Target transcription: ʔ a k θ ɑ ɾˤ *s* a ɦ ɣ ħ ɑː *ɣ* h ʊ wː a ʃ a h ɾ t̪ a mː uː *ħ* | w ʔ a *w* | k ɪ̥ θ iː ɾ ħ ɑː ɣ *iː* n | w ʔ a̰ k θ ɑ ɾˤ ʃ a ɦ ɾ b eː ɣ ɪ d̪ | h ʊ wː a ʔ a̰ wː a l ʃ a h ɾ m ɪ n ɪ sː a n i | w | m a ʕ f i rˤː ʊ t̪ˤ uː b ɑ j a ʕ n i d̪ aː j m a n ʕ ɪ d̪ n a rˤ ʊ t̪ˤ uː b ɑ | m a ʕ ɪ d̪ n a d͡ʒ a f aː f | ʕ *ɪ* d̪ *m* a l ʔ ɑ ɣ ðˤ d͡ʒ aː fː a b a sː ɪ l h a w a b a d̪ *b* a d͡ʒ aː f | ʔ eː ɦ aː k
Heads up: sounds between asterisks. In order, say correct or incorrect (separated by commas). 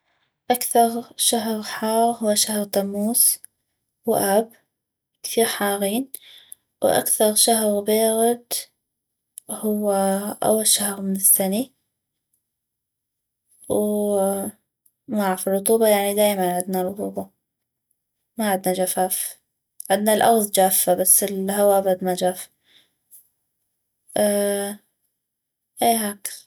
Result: incorrect, correct, incorrect, incorrect, correct, correct, incorrect, incorrect